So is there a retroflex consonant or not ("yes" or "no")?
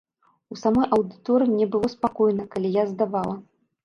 no